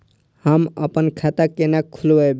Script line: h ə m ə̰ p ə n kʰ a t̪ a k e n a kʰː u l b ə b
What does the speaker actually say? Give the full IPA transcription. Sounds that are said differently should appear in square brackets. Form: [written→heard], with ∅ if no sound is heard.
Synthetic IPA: h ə m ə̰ p ə n kʰ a t̪ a k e n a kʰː u l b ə b